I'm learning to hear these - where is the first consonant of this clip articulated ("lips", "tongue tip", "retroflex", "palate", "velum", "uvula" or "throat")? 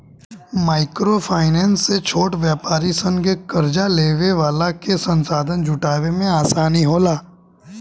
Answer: lips